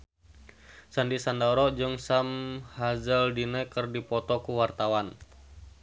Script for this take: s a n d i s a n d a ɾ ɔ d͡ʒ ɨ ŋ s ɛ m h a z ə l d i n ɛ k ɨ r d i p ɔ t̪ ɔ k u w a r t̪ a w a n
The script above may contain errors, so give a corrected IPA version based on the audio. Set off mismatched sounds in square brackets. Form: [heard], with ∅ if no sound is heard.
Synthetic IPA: s a n d i s a n d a ɾ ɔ d͡ʒ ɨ ŋ s [a] m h a z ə l d i n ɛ k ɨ r d i p ɔ t̪ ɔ k u w a r t̪ a w a n